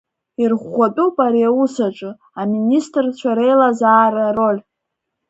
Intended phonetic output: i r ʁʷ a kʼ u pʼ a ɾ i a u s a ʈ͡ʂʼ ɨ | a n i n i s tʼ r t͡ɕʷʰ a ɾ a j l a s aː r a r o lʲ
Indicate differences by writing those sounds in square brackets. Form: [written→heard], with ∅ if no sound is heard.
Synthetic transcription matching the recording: i r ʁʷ a [kʼ→tʼ] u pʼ a ɾ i a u s a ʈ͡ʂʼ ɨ | a [n→m] i n i s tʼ r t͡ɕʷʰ a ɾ [a→e] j l a [s→z] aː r a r o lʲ